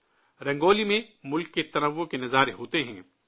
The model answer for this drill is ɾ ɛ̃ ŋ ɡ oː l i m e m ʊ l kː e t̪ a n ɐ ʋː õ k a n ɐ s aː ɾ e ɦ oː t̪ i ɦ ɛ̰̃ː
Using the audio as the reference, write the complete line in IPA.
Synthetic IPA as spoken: ɾ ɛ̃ ŋ ɡ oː l i m ẽ m ʊ l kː e t̪ ɐ n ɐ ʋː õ k e n ɐ z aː ɾ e ɦ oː t̪ e ɦ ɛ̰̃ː